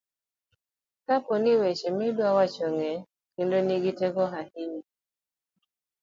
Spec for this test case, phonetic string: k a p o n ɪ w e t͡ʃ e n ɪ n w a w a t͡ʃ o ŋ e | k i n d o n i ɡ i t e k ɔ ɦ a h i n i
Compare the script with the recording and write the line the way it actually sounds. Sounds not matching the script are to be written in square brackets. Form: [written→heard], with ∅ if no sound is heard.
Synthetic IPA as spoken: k a p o n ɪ w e t͡ʃ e [n→m] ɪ [n→d] w a w a t͡ʃ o ŋ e | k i n d o n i ɡ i t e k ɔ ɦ a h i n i